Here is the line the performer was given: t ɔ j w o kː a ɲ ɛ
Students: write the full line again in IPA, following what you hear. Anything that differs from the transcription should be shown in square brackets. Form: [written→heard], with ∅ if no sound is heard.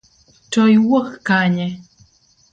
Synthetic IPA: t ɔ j w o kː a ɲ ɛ